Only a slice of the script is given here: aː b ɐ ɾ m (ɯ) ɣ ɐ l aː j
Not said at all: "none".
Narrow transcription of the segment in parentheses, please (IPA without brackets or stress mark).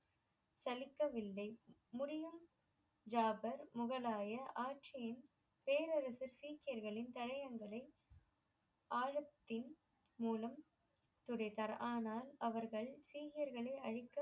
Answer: ʊ